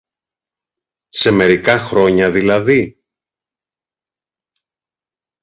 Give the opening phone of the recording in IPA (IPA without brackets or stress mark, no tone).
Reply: s